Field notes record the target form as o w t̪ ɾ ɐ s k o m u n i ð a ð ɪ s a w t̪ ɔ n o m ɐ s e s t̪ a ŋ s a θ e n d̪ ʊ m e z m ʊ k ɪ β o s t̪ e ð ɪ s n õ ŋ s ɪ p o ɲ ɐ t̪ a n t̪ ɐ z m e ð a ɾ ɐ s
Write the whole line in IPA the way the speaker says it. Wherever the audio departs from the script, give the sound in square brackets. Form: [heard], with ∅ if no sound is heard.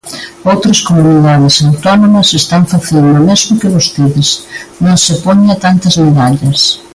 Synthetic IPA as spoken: o w t̪ ɾ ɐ s k o m u n i ð a ð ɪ s a w t̪ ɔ n o m ɐ s e s t̪ a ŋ [f] a θ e n d̪ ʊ m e z m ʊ k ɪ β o s t̪ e ð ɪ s n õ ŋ s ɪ p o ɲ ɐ t̪ a n t̪ ɐ z m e ð a [ʎ] ɐ s